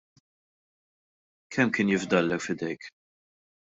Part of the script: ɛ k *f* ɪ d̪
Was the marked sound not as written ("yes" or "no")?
no